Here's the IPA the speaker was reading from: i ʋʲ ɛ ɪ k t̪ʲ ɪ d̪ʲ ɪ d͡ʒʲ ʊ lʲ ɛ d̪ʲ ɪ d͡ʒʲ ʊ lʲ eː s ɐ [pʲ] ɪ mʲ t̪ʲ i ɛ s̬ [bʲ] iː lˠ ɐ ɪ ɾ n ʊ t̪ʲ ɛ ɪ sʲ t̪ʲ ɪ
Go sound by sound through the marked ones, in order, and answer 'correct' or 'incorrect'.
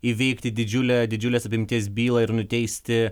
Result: correct, correct

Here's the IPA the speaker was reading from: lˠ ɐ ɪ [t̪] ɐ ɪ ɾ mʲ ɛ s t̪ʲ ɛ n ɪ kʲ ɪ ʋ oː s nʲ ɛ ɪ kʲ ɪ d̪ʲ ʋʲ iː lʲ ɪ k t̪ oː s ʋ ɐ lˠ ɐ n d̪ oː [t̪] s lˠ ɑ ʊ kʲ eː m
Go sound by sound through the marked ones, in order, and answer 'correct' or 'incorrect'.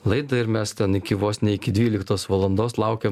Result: incorrect: d̪, incorrect: none

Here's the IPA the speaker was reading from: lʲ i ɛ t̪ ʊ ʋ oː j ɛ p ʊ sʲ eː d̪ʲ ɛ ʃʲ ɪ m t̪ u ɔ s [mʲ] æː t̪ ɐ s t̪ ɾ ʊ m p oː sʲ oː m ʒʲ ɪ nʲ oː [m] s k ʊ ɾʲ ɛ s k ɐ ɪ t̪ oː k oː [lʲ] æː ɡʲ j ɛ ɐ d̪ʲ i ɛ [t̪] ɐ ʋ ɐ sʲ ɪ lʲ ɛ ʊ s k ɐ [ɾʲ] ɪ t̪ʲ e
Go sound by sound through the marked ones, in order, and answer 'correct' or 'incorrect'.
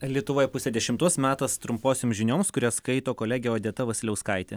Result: correct, correct, correct, correct, incorrect: none

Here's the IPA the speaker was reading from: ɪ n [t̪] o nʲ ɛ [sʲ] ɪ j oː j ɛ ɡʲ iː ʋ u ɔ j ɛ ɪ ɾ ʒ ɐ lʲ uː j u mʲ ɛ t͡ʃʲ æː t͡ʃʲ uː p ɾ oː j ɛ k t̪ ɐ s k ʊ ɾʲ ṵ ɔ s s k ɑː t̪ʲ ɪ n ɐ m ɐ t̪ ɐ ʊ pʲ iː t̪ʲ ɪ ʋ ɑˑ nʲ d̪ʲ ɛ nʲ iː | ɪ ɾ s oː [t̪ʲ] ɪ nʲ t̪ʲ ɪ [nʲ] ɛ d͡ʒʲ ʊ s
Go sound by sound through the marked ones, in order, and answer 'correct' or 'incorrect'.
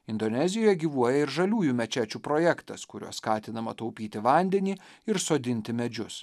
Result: incorrect: d̪, incorrect: zʲ, incorrect: d̪ʲ, incorrect: mʲ

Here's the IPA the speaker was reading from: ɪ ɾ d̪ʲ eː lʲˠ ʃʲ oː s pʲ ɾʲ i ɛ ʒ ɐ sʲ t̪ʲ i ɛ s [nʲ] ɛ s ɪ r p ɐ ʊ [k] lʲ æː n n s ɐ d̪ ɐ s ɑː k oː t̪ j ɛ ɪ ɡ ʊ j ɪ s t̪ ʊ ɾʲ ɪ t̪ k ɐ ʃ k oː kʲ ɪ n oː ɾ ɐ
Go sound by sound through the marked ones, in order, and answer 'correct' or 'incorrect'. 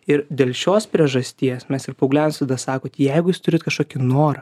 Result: incorrect: mʲ, incorrect: ɡ

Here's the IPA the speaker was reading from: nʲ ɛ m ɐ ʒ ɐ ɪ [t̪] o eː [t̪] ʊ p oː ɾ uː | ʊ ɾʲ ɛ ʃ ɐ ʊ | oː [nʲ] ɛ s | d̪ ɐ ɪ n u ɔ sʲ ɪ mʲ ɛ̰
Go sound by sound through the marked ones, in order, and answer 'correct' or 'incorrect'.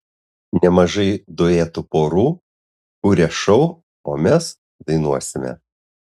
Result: incorrect: d̪, correct, incorrect: mʲ

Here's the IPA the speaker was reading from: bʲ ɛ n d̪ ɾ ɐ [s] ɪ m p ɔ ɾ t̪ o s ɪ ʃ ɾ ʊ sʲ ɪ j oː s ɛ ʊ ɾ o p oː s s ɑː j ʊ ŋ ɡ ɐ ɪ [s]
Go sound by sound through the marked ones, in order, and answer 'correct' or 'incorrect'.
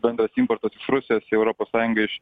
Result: correct, incorrect: ʃ

